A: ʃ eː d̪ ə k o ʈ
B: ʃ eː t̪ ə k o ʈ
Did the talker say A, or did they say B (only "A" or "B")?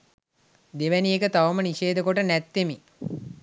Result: A